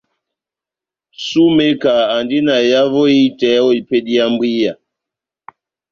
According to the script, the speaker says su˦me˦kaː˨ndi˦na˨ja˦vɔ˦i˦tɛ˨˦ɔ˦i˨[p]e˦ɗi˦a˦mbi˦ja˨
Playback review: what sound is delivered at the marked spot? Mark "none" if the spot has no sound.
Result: p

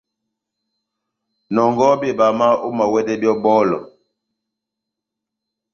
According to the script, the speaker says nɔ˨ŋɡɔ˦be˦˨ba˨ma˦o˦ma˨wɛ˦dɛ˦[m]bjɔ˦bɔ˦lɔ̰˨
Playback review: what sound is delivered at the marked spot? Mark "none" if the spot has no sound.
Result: none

